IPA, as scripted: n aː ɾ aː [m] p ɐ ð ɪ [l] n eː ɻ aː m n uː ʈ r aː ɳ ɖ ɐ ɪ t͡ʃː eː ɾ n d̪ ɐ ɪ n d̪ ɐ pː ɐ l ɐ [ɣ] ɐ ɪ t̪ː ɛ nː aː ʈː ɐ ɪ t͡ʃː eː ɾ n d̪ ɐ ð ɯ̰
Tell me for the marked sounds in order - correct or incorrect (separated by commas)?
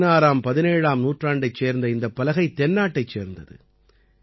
correct, incorrect, correct